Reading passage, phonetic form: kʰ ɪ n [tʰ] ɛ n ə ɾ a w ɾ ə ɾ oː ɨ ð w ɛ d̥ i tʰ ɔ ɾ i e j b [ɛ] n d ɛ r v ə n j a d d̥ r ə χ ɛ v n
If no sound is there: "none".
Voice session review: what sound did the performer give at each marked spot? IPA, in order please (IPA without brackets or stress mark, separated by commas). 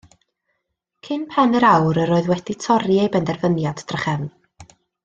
pʰ, ɛ